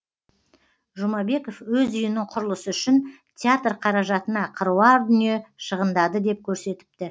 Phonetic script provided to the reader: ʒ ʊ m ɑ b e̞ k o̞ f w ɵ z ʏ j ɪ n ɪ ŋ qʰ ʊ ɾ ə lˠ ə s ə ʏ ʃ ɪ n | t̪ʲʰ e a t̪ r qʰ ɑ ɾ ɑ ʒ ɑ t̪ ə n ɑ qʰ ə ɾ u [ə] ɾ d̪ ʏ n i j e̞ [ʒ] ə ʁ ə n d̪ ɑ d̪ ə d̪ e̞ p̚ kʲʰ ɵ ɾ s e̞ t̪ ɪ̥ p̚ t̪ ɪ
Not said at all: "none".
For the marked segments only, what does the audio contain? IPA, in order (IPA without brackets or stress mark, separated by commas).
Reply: ɑ, ʃ